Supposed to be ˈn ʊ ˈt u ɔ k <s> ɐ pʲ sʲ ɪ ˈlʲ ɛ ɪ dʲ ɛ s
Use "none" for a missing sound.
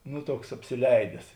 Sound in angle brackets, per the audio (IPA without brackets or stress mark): s